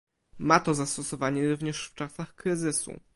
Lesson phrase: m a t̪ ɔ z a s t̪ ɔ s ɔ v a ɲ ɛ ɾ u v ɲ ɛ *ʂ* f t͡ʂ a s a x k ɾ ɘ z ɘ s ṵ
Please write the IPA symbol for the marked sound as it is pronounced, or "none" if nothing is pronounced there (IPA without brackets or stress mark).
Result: ʂ